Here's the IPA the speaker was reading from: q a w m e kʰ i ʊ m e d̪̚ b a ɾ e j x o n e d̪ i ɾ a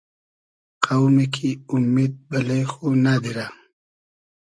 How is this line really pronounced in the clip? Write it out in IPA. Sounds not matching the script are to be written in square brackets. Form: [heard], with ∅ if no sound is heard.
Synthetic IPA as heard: q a w m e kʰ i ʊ m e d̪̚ b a [l] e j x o n [a] d̪ i ɾ a